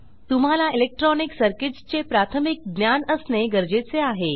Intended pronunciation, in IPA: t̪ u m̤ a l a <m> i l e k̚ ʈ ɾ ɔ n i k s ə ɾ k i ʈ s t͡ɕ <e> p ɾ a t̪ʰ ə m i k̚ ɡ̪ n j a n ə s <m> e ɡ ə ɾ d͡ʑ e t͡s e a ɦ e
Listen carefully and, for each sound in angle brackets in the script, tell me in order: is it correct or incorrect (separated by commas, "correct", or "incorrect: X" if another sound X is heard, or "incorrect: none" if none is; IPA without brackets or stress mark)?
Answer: incorrect: none, correct, incorrect: n